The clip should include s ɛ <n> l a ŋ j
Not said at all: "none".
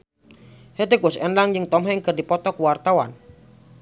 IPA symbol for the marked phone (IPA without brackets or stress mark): n